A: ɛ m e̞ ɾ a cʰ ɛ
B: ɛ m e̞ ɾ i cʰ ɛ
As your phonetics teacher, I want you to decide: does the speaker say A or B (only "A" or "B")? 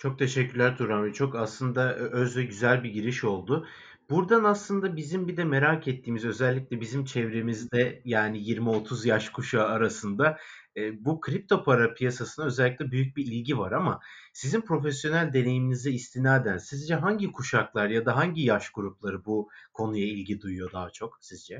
A